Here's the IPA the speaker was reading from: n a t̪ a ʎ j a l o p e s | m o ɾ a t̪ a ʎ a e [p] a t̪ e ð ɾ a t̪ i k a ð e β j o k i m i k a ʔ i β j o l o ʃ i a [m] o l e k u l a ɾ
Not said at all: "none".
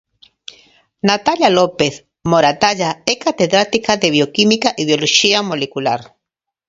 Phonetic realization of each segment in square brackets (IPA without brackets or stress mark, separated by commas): k, m